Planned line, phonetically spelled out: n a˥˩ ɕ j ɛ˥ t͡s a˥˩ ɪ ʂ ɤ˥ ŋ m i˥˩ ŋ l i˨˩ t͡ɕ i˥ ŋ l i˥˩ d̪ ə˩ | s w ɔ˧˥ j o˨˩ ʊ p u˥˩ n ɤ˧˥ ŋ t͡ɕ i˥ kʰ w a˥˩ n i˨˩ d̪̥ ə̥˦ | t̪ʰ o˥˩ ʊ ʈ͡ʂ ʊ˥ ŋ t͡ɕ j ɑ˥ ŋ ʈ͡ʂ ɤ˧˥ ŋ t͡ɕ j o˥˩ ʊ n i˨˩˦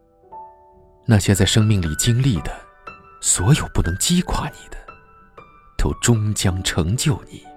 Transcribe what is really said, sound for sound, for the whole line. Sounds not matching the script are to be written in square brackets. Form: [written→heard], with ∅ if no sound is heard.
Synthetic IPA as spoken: n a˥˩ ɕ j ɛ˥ t͡s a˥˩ ɪ ʂ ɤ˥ ŋ m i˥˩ ŋ l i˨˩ t͡ɕ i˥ ŋ l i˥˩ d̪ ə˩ | s w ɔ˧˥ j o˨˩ ʊ p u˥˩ n ɤ˧˥ ŋ t͡ɕ i˥ kʰ w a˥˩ n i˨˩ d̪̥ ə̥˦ | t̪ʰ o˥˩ ʊ ʈ͡ʂ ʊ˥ ŋ t͡ɕ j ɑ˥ ŋ [ʈ͡ʂ→ʈ͡ʂʰ] ɤ˧˥ ŋ t͡ɕ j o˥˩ ʊ n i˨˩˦